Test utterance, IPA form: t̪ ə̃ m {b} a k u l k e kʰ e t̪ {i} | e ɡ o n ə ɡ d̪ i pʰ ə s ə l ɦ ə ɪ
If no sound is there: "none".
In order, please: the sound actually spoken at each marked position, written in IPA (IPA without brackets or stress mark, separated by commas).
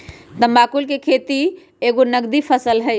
b, i